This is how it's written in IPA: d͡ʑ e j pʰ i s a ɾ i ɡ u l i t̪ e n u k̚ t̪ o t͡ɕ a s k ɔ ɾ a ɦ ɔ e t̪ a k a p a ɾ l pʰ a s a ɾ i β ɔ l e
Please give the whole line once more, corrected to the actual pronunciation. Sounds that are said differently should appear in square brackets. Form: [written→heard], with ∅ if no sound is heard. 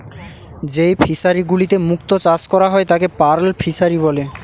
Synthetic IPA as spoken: d͡ʑ e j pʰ i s a ɾ i ɡ u l i t̪ e [n→m] u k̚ t̪ o t͡ɕ a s k ɔ ɾ a ɦ ɔ e t̪ a k [a→e] p a ɾ l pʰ [a→i] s a ɾ i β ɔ l e